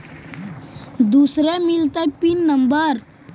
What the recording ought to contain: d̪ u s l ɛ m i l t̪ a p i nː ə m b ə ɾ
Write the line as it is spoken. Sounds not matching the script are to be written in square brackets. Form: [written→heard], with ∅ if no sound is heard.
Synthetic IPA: d̪ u s [l→ɾ] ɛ m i l t̪ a p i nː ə m b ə ɾ